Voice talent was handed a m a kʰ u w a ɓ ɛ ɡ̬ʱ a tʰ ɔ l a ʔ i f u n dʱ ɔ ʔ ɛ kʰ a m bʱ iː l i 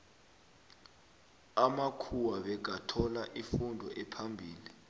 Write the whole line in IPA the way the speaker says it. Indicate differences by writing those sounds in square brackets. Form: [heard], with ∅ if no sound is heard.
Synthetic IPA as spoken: a m a kʰ u w a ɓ ɛ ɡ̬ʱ a tʰ ɔ l a ʔ i f u n dʱ ɔ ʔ ɛ [pʰ] a m bʱ iː l i